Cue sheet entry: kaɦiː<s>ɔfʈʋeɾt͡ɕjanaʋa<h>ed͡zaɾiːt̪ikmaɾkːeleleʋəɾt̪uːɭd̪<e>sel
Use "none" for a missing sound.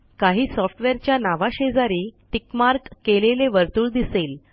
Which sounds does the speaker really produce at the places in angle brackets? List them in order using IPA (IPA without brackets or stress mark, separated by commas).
s, ɕ, i